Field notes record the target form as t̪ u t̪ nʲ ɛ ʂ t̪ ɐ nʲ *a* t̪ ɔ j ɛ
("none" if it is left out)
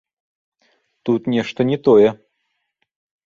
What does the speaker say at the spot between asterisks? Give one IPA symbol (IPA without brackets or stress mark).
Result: ɛ